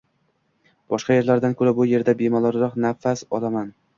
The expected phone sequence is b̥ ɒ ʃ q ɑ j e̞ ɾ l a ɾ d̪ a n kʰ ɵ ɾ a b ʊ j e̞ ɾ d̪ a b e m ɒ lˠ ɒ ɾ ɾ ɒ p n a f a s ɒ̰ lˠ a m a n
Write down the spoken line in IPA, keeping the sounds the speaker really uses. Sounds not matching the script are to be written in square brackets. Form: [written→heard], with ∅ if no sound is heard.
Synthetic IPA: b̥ ɒ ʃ q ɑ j e̞ ɾ l a ɾ d̪ a n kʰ ɵ ɾ a b ʊ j e̞ ɾ d̪ a b e m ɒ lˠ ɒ ɾ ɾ ɒ [p→q] n a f a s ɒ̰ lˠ a m a n